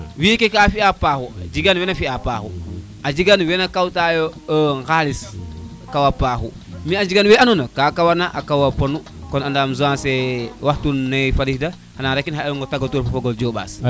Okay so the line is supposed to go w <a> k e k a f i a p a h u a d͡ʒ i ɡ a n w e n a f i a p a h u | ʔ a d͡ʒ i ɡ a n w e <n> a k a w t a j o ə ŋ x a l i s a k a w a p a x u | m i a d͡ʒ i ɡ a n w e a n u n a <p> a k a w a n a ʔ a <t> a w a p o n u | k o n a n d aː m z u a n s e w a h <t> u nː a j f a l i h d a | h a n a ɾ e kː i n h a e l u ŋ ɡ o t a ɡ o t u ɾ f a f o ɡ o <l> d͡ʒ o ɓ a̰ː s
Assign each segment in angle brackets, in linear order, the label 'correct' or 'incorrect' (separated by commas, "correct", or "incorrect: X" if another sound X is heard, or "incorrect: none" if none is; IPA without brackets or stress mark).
incorrect: i, correct, incorrect: k, incorrect: k, correct, correct